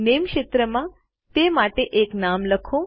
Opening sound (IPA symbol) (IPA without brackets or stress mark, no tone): n